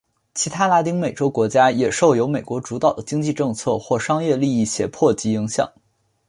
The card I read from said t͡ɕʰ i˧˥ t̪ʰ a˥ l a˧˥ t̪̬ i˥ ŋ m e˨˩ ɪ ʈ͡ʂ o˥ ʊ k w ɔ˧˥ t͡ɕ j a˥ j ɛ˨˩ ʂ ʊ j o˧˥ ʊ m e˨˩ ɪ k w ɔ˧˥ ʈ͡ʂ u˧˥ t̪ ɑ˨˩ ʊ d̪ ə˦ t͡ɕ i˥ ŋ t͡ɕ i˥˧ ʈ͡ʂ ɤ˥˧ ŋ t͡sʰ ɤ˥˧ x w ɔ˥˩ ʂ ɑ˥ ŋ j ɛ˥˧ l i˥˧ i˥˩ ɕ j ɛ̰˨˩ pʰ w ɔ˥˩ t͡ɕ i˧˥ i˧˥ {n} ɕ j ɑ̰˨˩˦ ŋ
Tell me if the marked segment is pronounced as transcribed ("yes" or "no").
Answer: no